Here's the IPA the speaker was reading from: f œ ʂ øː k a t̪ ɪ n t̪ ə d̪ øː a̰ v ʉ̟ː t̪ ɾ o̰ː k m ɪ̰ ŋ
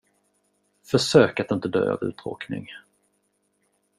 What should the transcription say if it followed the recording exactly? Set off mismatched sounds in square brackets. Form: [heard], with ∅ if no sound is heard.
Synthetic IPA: f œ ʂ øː k a t̪ ɪ n t̪ ə d̪ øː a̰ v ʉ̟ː t̪ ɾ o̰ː k [n] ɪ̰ ŋ